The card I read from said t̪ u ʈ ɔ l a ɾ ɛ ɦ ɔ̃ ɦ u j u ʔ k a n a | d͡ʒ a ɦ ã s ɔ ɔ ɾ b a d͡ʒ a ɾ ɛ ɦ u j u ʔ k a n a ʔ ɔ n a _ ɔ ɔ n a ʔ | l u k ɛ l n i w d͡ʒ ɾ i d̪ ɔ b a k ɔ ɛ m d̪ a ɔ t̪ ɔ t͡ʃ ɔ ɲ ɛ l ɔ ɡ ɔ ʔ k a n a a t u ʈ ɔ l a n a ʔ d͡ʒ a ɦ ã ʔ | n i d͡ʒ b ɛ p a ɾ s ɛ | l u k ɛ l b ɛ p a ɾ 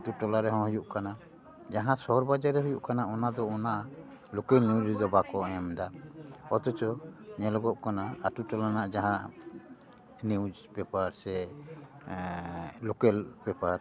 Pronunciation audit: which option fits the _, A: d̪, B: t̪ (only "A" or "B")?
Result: A